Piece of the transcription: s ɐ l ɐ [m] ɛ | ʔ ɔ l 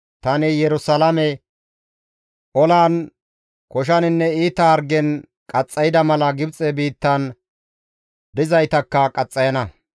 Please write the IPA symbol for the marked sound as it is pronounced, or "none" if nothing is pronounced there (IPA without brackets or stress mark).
m